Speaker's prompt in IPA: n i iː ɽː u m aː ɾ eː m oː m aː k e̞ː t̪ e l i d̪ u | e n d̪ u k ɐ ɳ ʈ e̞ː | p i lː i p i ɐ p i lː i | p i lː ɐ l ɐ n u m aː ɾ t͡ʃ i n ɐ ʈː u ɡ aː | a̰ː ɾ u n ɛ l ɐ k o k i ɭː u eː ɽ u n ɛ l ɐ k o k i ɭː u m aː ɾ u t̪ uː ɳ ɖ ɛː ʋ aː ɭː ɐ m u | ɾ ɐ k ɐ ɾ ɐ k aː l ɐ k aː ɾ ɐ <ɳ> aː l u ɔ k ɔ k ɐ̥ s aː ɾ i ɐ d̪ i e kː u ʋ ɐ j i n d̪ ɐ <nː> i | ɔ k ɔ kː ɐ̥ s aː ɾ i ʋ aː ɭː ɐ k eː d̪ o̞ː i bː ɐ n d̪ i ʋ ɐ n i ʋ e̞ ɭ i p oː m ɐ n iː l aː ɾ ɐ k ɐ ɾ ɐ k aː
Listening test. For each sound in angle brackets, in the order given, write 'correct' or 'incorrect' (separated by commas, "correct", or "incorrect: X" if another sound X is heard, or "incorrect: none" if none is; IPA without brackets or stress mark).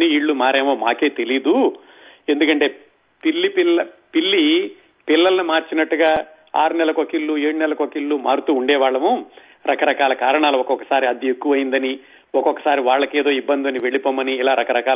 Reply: correct, incorrect: n